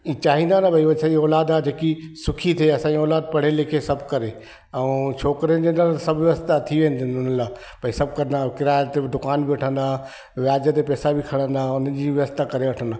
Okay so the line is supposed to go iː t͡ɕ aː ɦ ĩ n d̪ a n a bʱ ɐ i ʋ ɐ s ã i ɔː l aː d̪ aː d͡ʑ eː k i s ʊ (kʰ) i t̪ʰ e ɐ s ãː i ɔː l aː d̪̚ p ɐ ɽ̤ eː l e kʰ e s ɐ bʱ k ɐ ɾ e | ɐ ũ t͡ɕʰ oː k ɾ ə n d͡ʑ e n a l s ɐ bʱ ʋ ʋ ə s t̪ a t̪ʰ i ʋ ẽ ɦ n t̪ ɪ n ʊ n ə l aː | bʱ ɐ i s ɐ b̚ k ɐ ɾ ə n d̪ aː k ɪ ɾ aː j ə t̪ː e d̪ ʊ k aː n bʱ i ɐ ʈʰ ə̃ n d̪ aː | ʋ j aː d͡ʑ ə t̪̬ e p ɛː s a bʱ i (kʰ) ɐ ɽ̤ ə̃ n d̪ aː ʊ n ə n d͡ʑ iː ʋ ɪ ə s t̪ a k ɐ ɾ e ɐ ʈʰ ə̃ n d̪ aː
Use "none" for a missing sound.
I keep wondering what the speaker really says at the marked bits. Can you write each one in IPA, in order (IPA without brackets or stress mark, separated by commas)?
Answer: kʰ, kʰ